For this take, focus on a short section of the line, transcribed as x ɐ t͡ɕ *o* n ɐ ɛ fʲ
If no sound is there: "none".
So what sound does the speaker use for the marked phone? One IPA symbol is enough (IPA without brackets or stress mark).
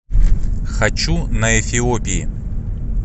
u